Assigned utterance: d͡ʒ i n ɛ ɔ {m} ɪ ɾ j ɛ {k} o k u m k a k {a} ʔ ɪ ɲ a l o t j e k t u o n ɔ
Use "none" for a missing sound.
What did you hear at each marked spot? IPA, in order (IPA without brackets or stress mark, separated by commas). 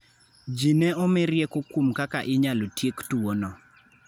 m, k, a